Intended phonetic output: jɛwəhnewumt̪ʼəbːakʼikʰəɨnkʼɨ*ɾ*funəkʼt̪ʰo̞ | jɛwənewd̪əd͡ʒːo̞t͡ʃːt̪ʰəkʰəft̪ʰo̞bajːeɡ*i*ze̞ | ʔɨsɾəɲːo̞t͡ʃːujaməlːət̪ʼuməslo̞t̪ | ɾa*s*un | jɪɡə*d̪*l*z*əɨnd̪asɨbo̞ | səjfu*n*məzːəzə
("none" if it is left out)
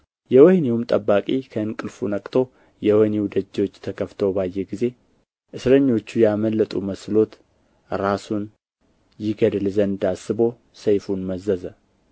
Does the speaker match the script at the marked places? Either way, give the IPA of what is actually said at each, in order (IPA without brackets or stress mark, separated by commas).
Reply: l, i, s, d̪, z, n